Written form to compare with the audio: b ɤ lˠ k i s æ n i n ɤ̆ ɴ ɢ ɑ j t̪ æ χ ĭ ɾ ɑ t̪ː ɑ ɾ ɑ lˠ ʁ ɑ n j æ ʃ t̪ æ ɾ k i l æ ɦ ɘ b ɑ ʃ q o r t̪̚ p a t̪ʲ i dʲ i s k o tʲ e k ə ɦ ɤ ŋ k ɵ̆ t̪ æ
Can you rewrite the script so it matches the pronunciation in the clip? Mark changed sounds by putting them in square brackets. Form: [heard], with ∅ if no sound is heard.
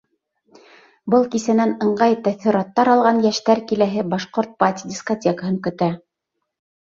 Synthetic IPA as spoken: b ɤ lˠ k i s æ n [æ] n ɤ̆ ɴ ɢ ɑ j t̪ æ [θ] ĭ ɾ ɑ t̪ː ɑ ɾ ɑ lˠ ʁ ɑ n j æ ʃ t̪ æ ɾ k i l æ ɦ ɘ b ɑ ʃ q o [ɾ] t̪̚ p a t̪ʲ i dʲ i s k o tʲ e k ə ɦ ɤ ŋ k ɵ̆ t̪ æ